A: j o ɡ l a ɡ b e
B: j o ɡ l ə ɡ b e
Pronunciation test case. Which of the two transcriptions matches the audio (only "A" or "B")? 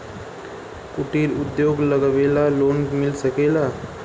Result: B